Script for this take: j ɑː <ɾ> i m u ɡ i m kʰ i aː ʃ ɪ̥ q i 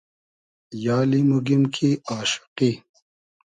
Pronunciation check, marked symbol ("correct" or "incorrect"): incorrect